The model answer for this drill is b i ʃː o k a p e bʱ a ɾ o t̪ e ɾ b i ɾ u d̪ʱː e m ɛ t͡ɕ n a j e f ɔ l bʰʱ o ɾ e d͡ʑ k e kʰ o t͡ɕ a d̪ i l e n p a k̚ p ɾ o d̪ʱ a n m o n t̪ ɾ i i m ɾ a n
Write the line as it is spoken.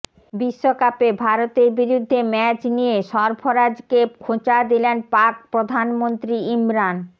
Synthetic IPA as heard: b i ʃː o k a p e bʱ a ɾ o t̪ e ɾ b i ɾ u d̪ʱː e m ɛ t͡ɕ n i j e ʃ ɔ ɾ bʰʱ o ɾ a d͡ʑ k e kʰ o t͡ɕ a d̪ i l e n p a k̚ p ɾ o d̪ʱ a n m o n t̪ ɾ i i m ɾ a n